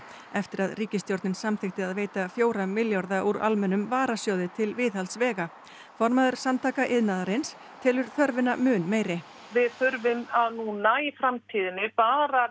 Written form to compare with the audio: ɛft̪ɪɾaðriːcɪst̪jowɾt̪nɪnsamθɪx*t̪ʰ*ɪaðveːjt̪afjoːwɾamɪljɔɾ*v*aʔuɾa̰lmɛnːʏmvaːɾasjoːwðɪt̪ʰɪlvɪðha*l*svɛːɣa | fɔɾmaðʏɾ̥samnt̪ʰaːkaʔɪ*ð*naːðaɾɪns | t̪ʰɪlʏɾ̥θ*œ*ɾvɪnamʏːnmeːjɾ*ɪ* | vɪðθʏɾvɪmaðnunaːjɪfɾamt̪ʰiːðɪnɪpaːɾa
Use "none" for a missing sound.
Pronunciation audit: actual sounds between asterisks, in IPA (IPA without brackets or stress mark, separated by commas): t̪, ð, l, ð, œ, ɪ